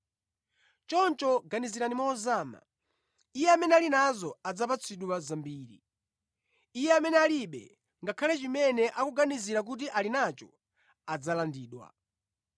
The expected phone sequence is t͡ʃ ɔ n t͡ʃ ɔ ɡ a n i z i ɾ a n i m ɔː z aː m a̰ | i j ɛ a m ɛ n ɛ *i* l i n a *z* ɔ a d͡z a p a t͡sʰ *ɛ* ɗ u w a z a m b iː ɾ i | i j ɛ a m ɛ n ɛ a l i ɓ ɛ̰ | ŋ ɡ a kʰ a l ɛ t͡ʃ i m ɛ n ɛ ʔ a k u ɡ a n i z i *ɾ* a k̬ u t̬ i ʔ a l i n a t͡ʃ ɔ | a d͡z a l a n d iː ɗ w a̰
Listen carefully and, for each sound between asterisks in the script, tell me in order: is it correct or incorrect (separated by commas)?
incorrect, correct, incorrect, correct